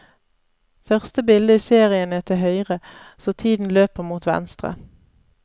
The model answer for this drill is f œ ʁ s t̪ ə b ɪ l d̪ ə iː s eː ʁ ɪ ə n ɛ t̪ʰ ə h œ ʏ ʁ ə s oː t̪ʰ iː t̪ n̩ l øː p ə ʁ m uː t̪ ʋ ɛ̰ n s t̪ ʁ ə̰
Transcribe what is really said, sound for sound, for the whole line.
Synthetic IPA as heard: f œ ʁ s t̪ ə b ɪ l d̪ ə iː s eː ʁ ɪ ə n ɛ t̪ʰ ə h œ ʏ ʁ ə s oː t̪ʰ iː d̪ n̩ l øː p ə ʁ m uː t̪ ʋ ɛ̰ n s t̪ ʁ ə̰